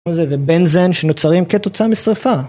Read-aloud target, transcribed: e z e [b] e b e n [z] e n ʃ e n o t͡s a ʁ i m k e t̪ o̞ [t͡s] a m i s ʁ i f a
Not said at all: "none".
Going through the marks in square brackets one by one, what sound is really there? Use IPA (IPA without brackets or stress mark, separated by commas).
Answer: v, z, t͡s